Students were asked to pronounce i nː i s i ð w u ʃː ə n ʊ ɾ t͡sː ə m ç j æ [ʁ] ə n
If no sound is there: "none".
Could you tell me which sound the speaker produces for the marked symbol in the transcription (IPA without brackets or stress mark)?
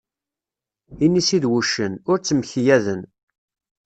ð